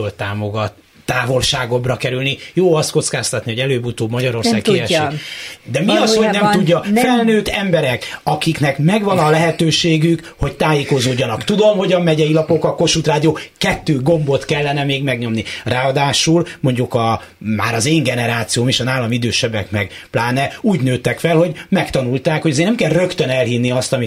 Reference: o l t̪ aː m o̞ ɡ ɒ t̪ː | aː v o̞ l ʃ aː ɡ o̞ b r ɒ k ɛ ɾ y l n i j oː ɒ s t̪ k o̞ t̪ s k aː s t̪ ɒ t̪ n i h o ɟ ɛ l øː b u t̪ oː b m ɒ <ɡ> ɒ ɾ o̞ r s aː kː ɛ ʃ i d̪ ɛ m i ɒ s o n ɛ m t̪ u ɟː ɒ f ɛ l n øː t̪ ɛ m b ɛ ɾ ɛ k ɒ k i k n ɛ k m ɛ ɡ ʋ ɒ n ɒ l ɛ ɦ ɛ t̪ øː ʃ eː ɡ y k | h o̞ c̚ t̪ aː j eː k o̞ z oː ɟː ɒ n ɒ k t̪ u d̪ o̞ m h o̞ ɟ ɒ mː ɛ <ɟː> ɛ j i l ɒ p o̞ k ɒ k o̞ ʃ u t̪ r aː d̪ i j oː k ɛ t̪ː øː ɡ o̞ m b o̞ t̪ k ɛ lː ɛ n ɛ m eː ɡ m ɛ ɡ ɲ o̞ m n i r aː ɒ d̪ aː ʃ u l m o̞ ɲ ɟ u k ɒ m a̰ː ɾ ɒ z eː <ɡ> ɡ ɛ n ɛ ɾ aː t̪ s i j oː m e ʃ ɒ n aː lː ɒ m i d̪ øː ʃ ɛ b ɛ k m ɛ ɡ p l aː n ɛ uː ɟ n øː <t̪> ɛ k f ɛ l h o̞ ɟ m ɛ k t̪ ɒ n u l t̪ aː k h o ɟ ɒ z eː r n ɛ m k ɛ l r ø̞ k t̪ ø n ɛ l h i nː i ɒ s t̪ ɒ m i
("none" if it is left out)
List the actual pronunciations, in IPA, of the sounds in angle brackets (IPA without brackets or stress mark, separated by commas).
ɟ, ɟ, ŋ, t̪